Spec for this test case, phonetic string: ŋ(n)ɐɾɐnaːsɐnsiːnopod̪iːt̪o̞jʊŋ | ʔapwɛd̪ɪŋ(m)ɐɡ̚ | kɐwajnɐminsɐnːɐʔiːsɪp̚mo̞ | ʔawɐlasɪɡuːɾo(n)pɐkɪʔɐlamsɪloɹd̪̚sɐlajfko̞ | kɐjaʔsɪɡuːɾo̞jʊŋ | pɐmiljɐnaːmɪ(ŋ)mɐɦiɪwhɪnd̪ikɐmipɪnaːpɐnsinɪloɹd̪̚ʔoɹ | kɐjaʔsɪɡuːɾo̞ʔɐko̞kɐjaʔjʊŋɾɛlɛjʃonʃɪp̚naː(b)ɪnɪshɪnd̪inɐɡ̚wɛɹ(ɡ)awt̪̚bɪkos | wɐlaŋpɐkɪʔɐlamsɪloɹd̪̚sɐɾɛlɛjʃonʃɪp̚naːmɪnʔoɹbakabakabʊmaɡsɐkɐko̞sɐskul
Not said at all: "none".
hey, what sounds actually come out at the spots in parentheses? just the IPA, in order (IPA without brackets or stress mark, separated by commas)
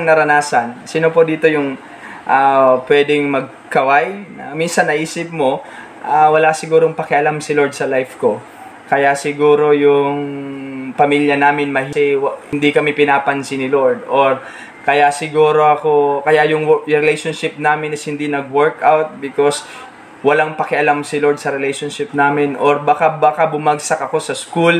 n, m, ŋ, n, m, k